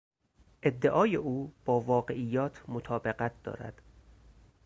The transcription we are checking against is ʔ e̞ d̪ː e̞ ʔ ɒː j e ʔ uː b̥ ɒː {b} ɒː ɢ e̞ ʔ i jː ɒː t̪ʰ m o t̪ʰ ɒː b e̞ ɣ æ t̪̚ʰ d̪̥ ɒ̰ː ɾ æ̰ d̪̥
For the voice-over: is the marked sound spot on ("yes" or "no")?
no